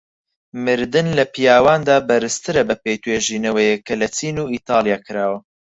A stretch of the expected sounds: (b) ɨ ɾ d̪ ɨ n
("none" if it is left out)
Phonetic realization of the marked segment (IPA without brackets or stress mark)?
m